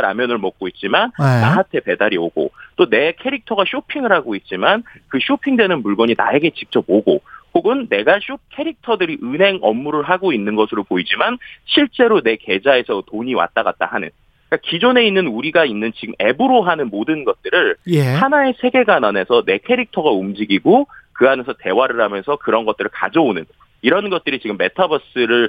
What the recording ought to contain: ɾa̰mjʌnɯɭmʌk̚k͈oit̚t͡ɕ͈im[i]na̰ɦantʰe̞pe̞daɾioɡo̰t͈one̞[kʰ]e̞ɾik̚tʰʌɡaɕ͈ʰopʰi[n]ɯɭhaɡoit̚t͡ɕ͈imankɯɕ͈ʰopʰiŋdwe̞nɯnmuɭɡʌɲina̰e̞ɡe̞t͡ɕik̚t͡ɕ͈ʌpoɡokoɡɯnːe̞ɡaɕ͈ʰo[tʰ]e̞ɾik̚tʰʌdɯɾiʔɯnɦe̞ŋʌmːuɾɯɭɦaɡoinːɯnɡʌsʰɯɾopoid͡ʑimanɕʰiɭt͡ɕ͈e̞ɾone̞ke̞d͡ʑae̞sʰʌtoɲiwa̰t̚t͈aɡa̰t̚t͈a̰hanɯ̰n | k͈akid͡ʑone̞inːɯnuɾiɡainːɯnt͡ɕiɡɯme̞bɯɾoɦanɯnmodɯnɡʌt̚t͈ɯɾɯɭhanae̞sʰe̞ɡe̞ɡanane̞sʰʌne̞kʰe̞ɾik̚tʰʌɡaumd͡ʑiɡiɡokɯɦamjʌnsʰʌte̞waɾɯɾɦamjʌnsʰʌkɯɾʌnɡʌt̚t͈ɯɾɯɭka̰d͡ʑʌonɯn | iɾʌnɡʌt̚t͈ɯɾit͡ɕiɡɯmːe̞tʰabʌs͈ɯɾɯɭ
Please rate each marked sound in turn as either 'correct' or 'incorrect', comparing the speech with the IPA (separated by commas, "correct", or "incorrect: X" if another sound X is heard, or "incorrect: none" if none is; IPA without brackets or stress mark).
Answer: incorrect: a, correct, incorrect: ŋ, incorrect: kʰ